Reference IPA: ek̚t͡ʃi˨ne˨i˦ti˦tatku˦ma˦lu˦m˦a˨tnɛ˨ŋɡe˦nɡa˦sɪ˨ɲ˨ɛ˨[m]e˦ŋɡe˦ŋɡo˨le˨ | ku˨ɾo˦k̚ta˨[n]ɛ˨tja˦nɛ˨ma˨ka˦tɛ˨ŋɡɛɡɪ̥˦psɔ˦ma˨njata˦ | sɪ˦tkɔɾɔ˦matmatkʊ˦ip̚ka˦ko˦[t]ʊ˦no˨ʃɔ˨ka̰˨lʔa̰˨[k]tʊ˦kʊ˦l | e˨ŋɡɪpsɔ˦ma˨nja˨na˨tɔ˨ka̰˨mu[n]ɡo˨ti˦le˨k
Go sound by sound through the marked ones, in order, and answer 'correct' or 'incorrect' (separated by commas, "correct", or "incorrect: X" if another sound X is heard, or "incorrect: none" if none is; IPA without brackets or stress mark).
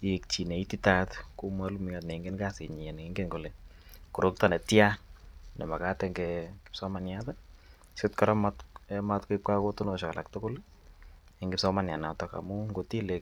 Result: incorrect: n, correct, correct, correct, incorrect: ŋ